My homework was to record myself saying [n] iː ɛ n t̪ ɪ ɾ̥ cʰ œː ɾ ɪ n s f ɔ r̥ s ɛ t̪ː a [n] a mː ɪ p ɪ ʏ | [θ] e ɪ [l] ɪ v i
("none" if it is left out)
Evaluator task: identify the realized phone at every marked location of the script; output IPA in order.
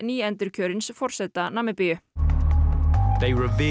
n, n, ð, ɹ

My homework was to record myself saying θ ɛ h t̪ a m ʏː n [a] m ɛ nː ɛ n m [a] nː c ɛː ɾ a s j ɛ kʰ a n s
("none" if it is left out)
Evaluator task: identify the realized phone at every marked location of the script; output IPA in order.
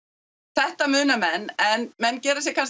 a, ɛ

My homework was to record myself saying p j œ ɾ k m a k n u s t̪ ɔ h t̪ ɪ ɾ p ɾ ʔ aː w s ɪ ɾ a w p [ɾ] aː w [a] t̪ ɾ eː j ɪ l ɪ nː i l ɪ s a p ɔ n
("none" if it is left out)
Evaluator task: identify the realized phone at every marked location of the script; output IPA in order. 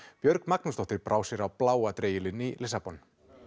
l, a

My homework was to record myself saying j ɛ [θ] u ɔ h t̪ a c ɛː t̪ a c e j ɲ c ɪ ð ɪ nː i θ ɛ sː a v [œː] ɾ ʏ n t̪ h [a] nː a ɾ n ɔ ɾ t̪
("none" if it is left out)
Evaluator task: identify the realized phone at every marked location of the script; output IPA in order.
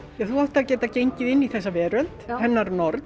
θ, ɛː, ɛ

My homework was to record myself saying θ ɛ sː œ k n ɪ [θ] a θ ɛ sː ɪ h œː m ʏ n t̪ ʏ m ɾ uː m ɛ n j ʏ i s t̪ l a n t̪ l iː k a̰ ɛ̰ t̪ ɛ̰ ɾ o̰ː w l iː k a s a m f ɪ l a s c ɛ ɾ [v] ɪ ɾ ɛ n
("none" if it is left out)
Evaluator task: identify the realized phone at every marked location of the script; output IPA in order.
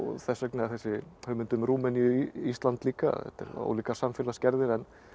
none, ð

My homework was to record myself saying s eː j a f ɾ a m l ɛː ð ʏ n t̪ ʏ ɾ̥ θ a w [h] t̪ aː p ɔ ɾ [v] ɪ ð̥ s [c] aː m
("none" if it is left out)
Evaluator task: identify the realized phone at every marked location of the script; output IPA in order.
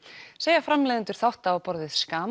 h, ð, k

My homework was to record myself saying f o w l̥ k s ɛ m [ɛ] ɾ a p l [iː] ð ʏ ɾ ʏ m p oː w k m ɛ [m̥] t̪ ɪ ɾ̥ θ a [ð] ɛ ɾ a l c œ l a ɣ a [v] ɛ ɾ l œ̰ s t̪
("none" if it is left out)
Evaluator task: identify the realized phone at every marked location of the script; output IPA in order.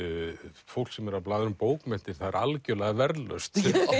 ɛ, aː, n̥, ð, v

